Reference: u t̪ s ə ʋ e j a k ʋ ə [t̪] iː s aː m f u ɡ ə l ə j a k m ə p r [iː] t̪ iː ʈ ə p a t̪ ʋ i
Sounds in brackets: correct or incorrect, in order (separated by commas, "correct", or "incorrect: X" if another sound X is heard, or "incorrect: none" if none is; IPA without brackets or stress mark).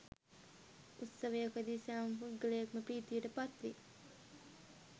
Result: incorrect: d̪, correct